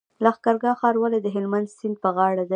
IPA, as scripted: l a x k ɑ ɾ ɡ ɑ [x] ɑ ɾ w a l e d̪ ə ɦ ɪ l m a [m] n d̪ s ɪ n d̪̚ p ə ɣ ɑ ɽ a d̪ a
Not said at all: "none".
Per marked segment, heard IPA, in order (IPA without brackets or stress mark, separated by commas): x, none